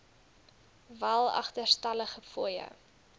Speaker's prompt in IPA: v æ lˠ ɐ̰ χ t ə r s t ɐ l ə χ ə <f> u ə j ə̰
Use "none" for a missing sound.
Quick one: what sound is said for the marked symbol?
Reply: f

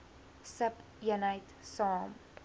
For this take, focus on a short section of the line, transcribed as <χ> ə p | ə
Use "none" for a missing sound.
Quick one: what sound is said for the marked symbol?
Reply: s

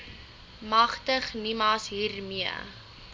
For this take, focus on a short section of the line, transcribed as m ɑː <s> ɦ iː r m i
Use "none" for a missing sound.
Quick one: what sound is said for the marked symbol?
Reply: s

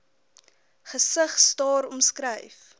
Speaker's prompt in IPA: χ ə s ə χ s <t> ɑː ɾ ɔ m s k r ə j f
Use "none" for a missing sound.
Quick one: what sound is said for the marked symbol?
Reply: t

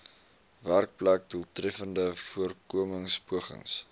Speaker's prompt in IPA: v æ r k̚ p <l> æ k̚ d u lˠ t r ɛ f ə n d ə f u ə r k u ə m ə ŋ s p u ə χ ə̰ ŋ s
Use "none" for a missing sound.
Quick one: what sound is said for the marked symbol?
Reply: l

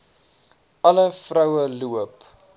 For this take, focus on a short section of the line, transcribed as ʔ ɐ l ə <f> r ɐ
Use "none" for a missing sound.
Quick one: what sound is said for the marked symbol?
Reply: f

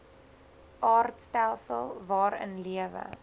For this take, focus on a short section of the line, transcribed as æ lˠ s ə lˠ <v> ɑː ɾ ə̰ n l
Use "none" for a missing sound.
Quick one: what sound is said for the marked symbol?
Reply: v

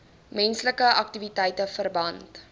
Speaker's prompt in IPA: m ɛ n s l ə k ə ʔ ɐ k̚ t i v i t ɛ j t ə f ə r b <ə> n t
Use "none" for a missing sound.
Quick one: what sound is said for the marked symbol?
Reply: ɐ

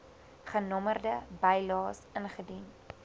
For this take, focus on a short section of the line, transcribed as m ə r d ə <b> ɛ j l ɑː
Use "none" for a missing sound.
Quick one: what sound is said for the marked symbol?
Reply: b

